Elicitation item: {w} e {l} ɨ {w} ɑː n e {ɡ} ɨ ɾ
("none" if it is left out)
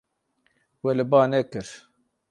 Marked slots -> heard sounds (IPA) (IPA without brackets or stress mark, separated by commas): w, l, b, k